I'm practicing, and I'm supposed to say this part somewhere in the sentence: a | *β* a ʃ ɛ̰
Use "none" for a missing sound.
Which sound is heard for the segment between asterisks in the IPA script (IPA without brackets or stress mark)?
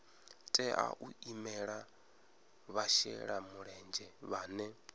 β